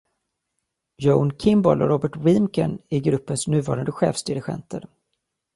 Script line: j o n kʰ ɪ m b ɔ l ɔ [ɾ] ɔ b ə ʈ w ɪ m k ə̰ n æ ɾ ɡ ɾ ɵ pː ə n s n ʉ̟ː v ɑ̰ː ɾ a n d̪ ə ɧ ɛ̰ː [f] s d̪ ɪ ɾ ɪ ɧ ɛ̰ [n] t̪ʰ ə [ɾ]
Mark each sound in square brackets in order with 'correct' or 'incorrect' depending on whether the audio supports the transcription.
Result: correct, correct, correct, correct

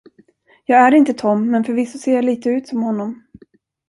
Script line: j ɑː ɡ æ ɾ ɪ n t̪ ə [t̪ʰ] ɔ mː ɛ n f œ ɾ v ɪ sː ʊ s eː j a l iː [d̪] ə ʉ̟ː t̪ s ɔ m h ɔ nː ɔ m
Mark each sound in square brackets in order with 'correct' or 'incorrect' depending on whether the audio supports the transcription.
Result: correct, incorrect

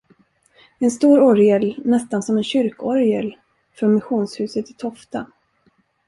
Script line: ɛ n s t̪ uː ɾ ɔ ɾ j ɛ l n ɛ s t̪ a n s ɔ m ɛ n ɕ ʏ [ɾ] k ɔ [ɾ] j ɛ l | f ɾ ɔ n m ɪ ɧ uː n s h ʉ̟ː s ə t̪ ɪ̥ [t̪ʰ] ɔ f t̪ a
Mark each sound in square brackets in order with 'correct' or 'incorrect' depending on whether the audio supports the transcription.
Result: correct, correct, correct

